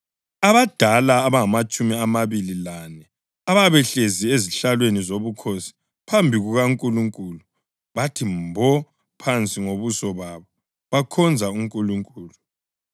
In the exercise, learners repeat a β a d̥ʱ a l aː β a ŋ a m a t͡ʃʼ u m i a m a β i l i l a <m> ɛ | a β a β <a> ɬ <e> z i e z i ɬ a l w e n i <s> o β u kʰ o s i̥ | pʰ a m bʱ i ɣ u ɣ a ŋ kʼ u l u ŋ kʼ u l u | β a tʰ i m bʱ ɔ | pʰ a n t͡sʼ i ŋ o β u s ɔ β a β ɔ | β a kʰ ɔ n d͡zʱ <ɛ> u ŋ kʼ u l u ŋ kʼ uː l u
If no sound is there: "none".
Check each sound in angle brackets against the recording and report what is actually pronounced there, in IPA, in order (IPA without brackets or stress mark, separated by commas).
n, ɛ, e, z, a